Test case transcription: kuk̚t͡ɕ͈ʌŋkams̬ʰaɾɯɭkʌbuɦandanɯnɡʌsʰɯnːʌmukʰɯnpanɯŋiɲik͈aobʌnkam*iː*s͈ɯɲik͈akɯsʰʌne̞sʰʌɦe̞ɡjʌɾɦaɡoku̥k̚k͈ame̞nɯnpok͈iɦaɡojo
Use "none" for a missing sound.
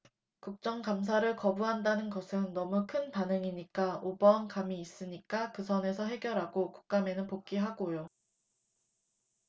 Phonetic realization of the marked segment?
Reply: iː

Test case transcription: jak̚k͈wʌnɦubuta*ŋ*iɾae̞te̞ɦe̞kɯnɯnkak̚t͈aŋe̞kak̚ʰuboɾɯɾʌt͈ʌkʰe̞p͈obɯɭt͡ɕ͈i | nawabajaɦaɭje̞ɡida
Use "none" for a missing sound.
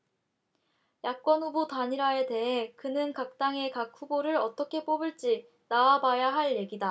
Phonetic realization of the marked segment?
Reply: ɲ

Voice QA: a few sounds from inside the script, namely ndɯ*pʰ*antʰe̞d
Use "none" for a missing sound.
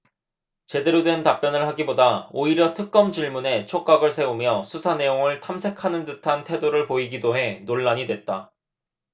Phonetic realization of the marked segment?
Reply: tʰ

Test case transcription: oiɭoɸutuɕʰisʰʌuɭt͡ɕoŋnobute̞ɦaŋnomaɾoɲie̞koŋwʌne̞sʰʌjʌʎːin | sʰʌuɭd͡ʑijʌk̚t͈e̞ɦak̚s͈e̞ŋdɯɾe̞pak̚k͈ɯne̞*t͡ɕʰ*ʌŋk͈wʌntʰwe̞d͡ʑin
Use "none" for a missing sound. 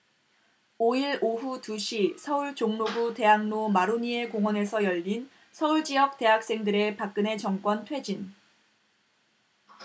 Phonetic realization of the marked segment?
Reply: t͡ɕ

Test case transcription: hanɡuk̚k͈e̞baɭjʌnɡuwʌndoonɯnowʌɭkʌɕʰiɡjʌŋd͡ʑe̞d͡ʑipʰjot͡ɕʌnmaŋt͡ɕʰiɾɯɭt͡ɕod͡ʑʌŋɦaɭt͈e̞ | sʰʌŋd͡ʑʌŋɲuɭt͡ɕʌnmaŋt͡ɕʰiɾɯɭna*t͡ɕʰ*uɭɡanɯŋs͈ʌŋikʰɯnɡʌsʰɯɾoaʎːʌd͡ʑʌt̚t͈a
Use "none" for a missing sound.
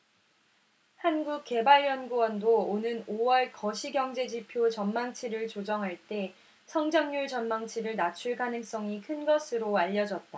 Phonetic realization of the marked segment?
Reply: t͡ɕʰ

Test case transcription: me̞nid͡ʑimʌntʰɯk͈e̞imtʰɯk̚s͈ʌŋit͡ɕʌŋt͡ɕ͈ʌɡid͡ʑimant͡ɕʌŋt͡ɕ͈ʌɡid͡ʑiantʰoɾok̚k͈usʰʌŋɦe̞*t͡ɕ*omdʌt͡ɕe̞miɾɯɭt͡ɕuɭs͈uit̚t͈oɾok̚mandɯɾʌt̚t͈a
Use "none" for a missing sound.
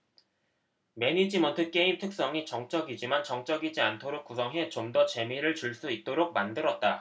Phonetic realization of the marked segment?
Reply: t͡ɕ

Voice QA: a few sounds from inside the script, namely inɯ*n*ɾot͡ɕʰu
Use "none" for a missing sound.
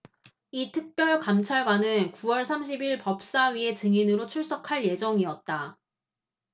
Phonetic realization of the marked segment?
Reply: none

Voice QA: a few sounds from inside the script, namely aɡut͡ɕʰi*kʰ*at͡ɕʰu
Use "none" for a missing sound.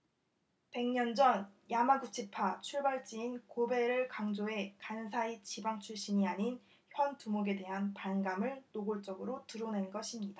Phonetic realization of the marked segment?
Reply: pʰ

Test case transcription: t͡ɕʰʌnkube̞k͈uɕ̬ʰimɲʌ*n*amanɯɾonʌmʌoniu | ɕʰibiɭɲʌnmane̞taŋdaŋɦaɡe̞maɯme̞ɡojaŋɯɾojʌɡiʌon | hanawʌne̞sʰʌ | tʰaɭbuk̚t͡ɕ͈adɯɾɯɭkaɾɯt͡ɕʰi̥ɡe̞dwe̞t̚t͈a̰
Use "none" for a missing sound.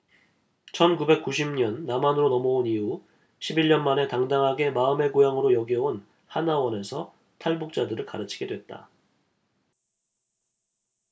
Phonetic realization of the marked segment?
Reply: nː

